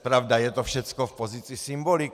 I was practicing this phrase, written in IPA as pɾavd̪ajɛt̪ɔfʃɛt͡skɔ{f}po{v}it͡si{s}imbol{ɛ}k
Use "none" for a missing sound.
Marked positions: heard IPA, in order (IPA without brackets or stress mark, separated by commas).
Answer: f, z, s, i